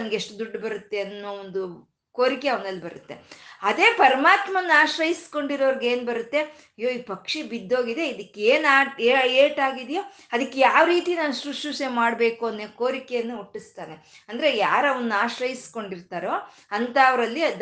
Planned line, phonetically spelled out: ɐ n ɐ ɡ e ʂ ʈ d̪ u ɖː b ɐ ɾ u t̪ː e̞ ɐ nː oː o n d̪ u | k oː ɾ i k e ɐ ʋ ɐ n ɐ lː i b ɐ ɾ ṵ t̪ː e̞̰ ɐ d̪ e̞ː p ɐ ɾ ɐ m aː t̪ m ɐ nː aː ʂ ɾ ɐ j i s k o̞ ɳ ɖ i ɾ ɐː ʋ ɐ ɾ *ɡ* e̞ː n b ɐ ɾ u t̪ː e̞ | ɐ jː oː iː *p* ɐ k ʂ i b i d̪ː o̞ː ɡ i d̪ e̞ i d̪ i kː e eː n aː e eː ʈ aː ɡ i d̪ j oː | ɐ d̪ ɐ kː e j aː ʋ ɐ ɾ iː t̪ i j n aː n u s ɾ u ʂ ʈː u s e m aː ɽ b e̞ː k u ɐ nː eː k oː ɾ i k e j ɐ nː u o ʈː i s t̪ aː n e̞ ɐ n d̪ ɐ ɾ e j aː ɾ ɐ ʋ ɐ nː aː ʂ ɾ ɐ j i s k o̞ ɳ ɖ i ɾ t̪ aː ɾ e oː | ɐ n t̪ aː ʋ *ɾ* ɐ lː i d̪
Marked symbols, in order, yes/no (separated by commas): yes, yes, yes